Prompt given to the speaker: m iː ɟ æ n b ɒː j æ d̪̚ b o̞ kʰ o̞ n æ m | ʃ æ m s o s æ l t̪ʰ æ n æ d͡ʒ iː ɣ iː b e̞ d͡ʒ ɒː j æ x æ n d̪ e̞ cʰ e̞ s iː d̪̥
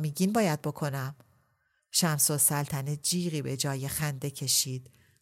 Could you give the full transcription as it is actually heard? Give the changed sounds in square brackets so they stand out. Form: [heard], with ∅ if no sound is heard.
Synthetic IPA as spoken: m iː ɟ [i] n b ɒː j æ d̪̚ b o̞ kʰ o̞ n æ m | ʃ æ m s o s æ l t̪ʰ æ n [e] d͡ʒ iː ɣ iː b e̞ d͡ʒ ɒː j [e] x æ n d̪ e̞ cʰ e̞ [ʃ] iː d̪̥